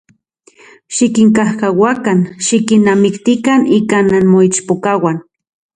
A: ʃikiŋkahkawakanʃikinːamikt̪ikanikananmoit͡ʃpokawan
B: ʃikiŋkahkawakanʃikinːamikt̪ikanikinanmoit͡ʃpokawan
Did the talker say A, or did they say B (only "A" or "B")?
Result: A